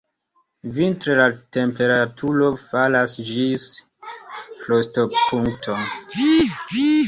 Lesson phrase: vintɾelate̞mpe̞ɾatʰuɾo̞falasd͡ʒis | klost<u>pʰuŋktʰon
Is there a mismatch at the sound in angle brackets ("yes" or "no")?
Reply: yes